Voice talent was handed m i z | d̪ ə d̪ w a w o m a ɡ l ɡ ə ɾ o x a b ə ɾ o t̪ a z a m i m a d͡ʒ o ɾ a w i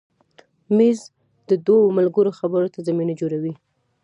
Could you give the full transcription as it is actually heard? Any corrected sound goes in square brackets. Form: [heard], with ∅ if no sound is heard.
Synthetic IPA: m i z | d̪ ə d̪ w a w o m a [∅] l ɡ ə ɾ o x a b ə ɾ o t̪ a z a m i [n] a d͡ʒ o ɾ a w i